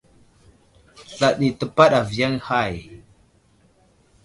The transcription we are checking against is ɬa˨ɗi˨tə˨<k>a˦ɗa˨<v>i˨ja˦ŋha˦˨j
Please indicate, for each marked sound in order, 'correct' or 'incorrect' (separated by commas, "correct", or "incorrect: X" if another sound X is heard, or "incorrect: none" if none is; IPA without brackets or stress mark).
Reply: incorrect: p, correct